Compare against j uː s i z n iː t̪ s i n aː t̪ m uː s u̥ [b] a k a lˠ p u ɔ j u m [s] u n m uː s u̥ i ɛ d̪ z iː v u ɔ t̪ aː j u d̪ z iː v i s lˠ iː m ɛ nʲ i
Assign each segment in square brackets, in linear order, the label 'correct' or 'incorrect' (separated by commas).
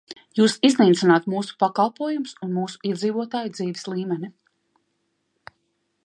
incorrect, correct